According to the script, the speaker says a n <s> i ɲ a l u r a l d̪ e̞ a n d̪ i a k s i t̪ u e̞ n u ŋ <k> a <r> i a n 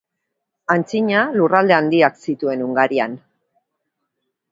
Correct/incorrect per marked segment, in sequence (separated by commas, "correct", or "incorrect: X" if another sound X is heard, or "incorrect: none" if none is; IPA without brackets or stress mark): incorrect: t͡s, incorrect: ɡ, incorrect: ɾ